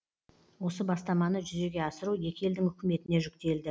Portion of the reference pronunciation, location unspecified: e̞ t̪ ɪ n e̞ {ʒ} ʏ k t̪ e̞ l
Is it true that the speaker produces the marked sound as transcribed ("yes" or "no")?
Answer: yes